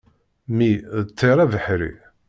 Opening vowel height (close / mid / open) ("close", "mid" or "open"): close